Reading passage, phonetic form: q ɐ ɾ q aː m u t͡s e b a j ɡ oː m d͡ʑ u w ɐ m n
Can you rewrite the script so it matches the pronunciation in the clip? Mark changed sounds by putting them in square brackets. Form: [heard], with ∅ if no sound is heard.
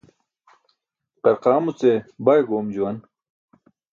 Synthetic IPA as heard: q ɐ ɾ q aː m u t͡s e b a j ɡ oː m d͡ʑ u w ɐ [∅] n